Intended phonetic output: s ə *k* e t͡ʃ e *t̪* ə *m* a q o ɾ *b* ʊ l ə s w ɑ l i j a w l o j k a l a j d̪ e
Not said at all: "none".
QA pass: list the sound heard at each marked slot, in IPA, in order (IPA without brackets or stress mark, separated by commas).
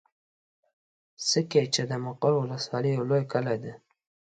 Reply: k, d̪, m, w